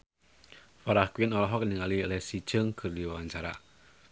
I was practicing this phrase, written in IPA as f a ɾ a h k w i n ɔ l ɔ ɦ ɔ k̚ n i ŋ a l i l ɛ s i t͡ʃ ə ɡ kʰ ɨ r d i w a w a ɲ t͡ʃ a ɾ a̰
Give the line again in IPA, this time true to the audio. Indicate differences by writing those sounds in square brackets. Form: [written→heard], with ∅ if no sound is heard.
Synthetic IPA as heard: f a ɾ a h k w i n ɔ l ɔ ɦ ɔ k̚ n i ŋ a l i l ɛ s i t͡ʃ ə [ɡ→ŋ] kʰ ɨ r d i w a w a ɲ t͡ʃ a ɾ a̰